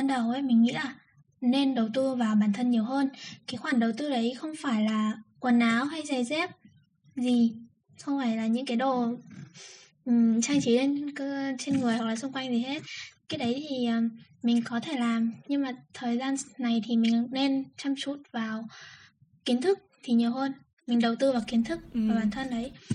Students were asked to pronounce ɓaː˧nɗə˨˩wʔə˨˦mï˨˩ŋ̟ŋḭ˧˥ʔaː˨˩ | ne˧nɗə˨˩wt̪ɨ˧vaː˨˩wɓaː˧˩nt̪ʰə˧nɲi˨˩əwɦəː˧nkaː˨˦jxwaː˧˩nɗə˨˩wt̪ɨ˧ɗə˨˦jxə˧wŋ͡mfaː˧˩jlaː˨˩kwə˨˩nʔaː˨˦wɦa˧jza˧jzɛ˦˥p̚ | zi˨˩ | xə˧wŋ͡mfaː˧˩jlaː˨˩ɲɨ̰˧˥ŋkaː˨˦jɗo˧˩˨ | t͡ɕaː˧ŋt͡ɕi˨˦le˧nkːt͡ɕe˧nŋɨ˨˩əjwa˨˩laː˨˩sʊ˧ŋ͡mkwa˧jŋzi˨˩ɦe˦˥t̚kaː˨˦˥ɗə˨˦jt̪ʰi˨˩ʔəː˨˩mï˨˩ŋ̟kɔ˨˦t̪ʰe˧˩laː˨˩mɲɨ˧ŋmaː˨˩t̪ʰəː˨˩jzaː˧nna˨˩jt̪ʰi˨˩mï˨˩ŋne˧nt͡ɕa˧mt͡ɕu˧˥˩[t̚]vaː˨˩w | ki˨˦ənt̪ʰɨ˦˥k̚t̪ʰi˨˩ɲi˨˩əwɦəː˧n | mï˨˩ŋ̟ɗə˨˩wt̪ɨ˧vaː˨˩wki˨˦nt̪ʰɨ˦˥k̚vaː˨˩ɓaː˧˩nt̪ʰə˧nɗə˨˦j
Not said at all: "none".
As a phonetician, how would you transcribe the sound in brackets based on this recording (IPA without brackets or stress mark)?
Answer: t̚